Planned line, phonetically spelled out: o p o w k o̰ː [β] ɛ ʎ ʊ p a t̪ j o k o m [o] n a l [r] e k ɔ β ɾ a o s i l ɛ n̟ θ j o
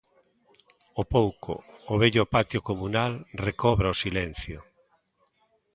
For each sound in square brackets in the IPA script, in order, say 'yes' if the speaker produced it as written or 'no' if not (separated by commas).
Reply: yes, no, yes